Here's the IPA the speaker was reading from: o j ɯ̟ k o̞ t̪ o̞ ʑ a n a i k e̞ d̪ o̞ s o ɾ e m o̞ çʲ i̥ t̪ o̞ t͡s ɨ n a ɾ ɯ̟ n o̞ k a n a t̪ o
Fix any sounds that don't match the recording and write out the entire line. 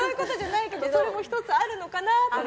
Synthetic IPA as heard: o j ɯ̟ k o̞ t̪ o̞ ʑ a n a i k e̞ d̪ o̞ s o ɾ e m o̞ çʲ i̥ t̪ o̞ t͡s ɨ a ɾ ɯ̟ n o̞ k a n a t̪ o